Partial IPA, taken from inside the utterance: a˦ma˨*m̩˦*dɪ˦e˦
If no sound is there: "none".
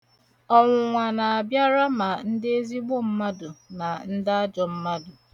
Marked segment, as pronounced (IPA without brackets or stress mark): n̩˦